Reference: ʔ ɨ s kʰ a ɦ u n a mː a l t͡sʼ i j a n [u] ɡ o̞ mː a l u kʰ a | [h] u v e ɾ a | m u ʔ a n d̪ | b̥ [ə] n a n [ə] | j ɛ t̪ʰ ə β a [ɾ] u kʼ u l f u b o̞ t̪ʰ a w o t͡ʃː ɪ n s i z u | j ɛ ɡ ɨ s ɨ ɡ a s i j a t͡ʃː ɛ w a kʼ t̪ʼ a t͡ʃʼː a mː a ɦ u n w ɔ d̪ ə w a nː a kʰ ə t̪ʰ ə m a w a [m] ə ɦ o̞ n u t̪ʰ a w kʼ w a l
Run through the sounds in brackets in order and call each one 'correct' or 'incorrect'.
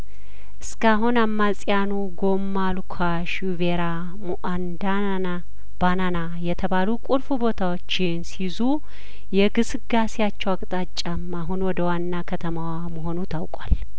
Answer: correct, incorrect: ʃ, incorrect: a, incorrect: a, incorrect: l, correct

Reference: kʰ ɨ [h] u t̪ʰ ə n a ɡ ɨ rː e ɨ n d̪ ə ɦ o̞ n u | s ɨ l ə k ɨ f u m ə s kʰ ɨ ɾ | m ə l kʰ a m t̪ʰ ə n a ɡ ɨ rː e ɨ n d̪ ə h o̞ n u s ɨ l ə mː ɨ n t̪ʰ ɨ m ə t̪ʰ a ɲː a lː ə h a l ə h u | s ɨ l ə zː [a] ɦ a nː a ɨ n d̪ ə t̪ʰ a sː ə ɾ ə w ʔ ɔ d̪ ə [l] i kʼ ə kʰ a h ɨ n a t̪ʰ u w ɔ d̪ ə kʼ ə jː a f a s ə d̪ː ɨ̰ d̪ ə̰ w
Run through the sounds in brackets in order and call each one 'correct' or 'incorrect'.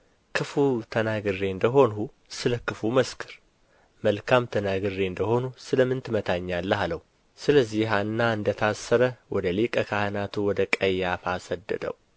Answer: incorrect: f, incorrect: i, correct

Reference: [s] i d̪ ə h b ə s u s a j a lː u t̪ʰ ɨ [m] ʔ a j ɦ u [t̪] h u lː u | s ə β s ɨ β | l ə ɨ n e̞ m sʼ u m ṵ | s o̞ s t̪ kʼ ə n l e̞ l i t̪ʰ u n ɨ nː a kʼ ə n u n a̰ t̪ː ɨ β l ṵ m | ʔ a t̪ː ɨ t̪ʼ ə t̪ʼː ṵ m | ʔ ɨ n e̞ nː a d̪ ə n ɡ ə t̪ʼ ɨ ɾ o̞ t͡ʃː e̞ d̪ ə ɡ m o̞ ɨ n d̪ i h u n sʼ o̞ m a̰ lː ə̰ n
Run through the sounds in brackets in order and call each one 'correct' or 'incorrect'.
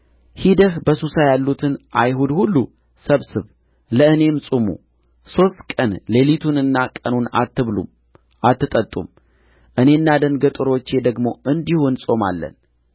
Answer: incorrect: h, incorrect: n, incorrect: d̪

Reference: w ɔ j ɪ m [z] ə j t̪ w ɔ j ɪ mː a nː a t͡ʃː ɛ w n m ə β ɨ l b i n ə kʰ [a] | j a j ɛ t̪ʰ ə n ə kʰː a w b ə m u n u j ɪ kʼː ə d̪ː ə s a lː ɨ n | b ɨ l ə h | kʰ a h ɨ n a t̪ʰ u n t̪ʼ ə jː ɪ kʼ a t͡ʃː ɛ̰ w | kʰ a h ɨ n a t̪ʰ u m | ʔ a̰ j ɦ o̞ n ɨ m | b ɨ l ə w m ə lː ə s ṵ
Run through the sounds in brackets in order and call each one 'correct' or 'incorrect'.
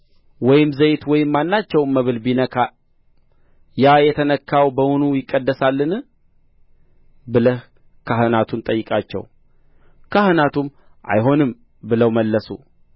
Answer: correct, correct

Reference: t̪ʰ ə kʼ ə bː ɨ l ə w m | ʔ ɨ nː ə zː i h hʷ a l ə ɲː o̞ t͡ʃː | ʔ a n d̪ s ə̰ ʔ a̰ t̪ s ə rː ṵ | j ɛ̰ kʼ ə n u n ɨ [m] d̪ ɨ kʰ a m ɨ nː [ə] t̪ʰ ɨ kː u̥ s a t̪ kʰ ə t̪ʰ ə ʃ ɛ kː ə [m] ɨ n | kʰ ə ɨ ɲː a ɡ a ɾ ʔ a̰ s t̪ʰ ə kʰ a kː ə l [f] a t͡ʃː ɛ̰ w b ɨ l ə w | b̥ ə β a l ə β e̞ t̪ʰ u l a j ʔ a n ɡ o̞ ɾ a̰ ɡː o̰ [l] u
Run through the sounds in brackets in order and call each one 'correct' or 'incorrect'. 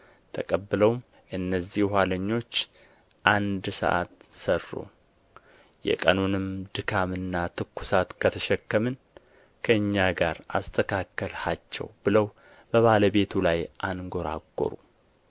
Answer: correct, incorrect: a, correct, incorrect: h, incorrect: ɾ

